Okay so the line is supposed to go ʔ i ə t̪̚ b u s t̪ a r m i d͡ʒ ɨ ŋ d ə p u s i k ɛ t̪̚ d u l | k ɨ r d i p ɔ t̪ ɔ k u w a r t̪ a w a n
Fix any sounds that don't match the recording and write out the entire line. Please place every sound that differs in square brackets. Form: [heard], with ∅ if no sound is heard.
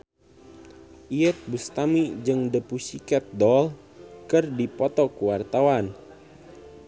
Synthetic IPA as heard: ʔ i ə t̪̚ b u s t̪ a [∅] m i d͡ʒ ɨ ŋ d ə p u s i k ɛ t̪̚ d [ɔ] l | k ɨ r d i p ɔ t̪ ɔ k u w a r t̪ a w a n